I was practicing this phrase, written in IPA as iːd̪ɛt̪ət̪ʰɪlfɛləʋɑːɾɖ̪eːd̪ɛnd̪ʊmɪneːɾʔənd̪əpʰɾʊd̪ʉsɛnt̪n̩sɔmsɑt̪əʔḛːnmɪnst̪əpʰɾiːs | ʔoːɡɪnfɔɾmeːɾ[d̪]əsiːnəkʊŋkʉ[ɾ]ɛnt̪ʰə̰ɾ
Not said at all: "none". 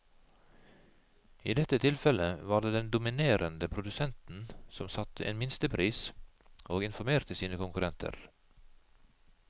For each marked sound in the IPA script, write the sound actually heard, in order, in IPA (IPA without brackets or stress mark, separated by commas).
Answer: t̪, ɾ